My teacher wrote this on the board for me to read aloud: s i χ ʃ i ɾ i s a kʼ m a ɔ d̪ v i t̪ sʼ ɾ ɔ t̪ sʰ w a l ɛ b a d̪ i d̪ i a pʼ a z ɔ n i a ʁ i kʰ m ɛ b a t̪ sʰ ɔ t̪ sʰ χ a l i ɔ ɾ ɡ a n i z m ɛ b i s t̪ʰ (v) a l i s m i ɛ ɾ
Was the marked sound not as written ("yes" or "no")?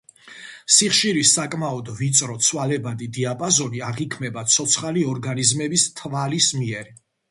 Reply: no